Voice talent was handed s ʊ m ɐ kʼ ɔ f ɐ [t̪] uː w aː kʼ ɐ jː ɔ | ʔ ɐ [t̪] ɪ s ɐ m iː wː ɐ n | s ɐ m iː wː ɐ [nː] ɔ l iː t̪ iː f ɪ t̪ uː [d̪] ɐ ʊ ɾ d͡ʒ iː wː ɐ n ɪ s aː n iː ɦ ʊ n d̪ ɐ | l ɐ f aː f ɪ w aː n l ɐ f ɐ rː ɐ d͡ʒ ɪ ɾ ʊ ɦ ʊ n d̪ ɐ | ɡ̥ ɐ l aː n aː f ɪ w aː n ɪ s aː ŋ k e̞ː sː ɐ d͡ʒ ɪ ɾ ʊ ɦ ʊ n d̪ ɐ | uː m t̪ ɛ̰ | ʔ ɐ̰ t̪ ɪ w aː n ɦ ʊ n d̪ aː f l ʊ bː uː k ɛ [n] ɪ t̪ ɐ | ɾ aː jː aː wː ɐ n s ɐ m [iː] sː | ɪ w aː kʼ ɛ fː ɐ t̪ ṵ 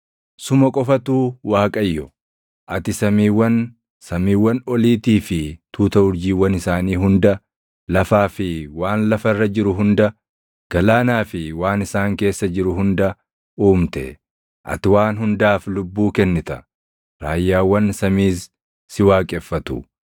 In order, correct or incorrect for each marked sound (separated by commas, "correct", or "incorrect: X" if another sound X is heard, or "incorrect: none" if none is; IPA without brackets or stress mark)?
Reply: correct, correct, incorrect: n, incorrect: t̪, incorrect: nː, correct